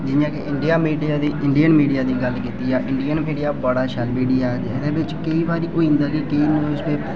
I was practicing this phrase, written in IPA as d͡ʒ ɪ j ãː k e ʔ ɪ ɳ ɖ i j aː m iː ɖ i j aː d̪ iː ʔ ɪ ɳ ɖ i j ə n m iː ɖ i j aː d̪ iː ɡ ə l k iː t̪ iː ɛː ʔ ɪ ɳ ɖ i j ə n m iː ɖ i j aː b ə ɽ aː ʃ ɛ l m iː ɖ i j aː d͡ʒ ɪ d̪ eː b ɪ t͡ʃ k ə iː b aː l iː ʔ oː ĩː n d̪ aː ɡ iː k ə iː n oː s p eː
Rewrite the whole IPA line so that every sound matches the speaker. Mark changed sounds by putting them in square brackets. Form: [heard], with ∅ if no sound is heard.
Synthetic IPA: d͡ʒ ɪ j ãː k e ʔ ɪ ɳ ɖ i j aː m iː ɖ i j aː d̪ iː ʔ ɪ ɳ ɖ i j ə n m iː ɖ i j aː d̪ iː ɡ ə l k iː t̪ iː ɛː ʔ ɪ ɳ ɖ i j ə n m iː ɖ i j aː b ə ɽ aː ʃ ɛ l m iː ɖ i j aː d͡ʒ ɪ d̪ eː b ɪ t͡ʃ k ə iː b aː [ɾ] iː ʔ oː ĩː n d̪ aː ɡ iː k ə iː n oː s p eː